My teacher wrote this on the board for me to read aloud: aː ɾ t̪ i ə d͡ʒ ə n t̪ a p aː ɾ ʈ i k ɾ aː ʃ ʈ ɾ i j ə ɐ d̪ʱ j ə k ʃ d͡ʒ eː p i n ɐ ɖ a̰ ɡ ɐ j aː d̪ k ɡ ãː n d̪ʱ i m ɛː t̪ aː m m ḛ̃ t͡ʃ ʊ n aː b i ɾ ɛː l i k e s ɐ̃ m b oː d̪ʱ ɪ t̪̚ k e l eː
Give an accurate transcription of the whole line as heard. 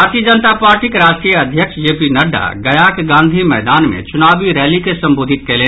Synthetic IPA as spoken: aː ɾ t̪ i ə d͡ʒ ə n t̪ a p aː ɾ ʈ i k ɾ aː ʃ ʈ ɾ i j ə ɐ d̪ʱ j ə k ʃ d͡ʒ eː p i n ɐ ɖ a̰ ɡ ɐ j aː k ɡ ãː n d̪ʱ i m ɛː d̪ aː n m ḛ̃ t͡ʃ ʊ n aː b i ɾ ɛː l i k e s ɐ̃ m b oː d̪ʱ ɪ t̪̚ k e l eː